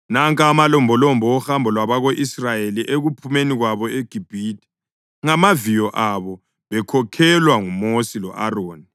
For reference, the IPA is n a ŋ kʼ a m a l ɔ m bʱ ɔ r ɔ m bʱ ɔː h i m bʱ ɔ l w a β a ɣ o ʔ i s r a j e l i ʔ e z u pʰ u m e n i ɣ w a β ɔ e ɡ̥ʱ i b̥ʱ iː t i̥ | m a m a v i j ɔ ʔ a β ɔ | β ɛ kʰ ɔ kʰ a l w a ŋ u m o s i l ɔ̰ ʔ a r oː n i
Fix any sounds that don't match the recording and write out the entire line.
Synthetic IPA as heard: n a ŋ kʼ a m a l ɔ m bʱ ɔ l ɔ m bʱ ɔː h a m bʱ ɔ l w a β a ɣ o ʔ i s r a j e l i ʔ e ɣ u pʰ u m e n i ɣ w a β ɔ e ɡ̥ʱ i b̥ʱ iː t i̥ | ŋ a m a v i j ɔ ʔ a β ɔ | β ɛ kʰ ɔ kʰ ɛ l w a ŋ u m o s i l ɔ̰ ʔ a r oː n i